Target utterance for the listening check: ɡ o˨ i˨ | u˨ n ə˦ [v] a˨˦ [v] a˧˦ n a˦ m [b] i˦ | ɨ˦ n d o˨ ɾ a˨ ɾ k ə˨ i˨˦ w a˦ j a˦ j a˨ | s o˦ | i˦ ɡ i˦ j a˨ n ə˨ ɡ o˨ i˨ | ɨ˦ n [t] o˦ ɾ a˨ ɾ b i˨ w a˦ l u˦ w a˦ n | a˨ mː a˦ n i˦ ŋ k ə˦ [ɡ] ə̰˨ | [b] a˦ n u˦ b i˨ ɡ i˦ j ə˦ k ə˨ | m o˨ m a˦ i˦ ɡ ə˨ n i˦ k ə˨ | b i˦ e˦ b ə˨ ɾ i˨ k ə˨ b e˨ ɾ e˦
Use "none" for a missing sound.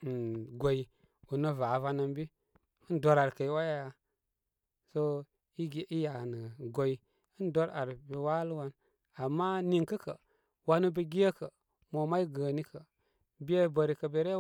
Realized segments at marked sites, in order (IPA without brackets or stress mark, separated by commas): v, v, b, d, k, w